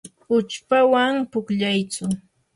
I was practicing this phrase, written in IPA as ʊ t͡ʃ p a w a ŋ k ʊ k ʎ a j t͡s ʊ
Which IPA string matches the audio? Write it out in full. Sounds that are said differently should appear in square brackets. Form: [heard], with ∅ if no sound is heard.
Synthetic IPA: ʊ t͡ʃ p a w a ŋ [p] ʊ k ʎ a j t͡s ʊ